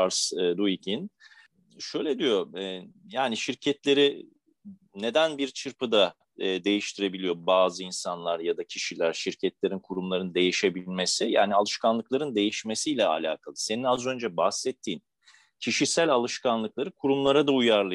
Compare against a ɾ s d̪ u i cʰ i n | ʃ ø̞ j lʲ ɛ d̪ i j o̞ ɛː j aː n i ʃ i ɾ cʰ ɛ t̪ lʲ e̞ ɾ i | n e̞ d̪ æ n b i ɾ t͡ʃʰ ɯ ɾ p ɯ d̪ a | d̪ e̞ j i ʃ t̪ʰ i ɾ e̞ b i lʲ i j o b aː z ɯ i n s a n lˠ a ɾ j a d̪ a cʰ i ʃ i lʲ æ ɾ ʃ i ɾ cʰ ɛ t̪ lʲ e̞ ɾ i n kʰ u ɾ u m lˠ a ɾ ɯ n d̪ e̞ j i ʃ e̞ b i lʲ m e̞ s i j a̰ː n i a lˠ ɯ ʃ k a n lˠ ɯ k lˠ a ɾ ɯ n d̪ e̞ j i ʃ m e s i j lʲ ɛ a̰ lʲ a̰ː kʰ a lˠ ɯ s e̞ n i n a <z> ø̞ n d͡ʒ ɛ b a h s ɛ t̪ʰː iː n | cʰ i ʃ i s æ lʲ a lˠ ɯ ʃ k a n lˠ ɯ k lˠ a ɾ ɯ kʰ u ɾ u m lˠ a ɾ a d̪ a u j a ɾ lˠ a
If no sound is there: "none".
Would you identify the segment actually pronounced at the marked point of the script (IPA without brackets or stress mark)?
z